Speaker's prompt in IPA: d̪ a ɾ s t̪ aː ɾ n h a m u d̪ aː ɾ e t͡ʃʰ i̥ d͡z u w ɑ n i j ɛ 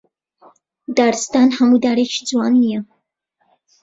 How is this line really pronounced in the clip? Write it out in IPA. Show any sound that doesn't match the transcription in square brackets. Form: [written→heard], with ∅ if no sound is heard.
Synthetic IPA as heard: d̪ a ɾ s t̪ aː [ɾ→∅] n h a m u d̪ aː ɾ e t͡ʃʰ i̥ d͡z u w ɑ n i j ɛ